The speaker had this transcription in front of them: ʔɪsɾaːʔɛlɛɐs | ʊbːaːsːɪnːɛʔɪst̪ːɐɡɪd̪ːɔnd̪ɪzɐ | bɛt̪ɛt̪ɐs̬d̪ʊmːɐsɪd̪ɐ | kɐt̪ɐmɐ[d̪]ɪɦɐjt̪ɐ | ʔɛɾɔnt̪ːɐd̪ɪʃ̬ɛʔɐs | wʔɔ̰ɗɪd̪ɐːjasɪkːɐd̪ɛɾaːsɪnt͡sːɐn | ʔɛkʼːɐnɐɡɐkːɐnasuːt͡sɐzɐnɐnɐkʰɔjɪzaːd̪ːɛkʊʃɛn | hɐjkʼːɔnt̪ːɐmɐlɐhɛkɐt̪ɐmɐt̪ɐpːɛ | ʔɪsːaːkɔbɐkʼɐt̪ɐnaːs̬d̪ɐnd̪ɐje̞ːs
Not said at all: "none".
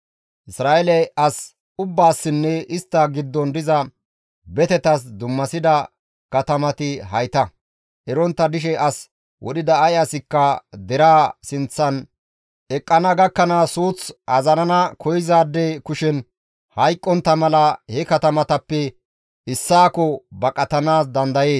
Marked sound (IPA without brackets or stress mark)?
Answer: t̪